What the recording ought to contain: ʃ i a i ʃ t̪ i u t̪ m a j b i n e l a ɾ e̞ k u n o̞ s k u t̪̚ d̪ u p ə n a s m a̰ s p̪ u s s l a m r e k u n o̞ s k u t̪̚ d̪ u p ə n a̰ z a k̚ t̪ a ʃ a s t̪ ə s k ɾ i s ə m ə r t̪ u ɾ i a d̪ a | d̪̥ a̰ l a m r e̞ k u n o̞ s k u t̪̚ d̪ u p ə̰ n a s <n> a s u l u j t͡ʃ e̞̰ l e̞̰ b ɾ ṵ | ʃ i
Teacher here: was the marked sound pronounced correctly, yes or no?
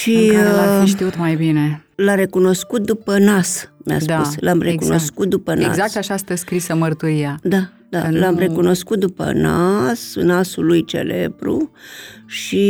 yes